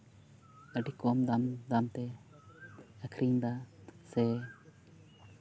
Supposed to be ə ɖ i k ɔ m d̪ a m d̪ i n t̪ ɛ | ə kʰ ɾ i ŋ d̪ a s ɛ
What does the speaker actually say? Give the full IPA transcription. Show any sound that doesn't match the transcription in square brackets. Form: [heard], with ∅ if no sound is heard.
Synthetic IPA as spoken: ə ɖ i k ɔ m d̪ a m d̪ [a] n t̪ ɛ | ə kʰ ɾ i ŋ d̪ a s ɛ